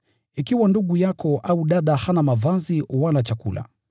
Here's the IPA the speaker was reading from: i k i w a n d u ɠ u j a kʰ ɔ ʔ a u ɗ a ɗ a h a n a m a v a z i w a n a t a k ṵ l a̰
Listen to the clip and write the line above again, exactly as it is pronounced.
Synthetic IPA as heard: i k i w a n d u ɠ u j a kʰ ɔ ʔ a u ɗ a ɗ a h a n a m a v a z i w a n a t͡ʃ a k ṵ l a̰